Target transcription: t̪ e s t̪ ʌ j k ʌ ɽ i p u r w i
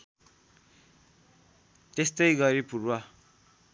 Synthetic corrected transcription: t̪ e s t̪ ʌ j ɡ ʌ ɾ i p u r w a

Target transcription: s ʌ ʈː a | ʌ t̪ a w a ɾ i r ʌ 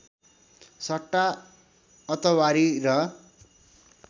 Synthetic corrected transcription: s ʌ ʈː a | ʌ t̪ ʌ w a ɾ i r ʌ

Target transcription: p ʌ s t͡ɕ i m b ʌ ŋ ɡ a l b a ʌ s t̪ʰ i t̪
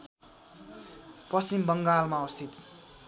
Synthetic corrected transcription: p ʌ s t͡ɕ i m b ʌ ŋ ɡ a l m a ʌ s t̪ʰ i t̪

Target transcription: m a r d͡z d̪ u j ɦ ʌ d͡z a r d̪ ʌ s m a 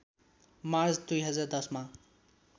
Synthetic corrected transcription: m a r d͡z d̪ u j ɦ ʌ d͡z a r d̪ ʌ s m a

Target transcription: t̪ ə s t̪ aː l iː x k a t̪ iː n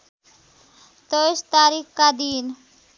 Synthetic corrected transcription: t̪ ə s t̪ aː ɾ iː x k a d̪ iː n

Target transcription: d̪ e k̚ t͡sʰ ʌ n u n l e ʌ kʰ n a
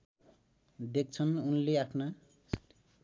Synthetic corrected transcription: d̪ e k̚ t͡sʰ ʌ n u n l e a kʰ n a

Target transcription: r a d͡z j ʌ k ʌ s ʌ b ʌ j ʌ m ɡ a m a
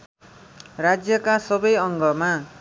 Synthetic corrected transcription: r a d͡z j ʌ k a s ʌ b ʌ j ʌ ŋ ɡ ʌ m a

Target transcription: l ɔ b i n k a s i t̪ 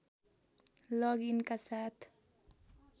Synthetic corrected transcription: l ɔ ɡ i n k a s a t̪

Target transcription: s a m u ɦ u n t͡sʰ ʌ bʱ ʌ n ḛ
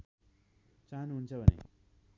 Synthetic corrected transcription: t͡s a n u ɦ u n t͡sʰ ʌ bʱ ʌ n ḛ

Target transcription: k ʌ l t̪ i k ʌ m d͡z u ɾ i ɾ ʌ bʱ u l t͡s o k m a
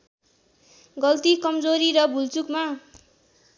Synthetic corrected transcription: ɡ ʌ l t̪ i k ʌ m d͡z o ɾ i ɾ ʌ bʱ u l t͡s u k m a

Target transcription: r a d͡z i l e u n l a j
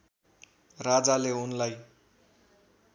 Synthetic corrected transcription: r a d͡z a l e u n l a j

